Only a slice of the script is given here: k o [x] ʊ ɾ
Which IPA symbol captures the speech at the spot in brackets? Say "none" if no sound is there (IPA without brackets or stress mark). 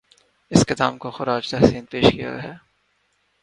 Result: x